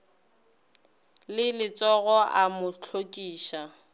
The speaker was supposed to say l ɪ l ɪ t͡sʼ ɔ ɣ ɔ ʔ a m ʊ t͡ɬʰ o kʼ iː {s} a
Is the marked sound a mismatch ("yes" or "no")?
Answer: yes